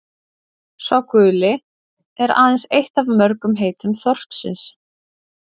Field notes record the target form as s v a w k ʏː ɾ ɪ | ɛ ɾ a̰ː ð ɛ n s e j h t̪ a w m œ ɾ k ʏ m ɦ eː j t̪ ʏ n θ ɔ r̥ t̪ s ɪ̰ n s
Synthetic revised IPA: s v a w k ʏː l ɪ | ɛ ɾ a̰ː ð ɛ n s e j h t̪ a v m œ ɾ k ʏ m ɦ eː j t̪ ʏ m θ ɔ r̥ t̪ s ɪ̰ n s